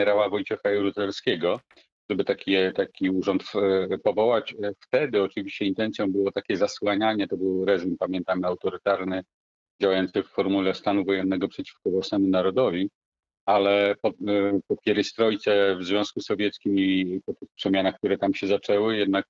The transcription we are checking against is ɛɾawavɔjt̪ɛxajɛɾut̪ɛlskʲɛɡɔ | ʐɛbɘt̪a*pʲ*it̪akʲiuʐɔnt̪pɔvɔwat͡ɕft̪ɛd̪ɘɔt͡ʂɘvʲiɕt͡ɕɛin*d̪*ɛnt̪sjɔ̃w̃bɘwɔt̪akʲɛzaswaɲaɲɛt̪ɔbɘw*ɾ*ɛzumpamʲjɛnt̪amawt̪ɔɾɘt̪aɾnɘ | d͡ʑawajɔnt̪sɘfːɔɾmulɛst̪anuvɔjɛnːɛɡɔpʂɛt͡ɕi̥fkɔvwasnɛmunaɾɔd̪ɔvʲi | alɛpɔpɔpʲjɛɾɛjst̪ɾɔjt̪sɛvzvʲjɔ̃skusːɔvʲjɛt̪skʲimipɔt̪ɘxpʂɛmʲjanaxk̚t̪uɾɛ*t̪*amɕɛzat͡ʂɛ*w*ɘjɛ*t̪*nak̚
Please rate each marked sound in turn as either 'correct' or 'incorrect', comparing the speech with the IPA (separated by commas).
incorrect, incorrect, correct, correct, correct, incorrect